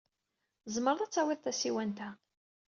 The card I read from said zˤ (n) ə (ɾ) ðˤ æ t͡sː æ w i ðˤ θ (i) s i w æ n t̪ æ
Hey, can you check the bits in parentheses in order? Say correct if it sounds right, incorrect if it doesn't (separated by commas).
incorrect, correct, incorrect